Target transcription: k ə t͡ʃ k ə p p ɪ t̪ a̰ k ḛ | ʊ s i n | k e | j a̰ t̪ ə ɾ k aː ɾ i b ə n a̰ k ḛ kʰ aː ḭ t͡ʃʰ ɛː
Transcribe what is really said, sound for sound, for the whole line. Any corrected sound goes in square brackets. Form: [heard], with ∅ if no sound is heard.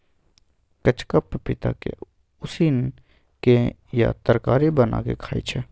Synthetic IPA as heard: k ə t͡ʃ k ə p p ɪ t̪ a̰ k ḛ | ʊ s i n | k e | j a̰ t̪ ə ɾ k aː ɾ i b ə n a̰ k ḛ kʰ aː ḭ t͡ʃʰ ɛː